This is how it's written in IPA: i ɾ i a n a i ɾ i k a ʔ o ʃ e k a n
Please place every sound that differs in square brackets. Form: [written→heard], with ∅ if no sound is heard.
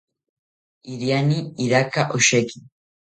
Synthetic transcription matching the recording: i ɾ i a n [a→i] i ɾ [i→a] k a ʔ o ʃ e k [a→i] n

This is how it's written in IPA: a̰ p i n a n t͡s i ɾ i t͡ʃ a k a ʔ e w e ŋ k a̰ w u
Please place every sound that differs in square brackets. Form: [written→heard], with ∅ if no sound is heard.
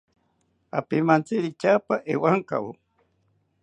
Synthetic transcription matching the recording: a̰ p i [n→m] a n t͡s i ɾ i t͡ʃ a [k→p] a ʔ e w [e→a] ŋ k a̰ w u

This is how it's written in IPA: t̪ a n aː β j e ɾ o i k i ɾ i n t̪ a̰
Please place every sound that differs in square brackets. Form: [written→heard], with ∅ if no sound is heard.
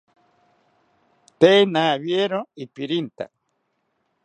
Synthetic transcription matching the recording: t̪ [a→e] n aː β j e ɾ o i [k→p] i ɾ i n t̪ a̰

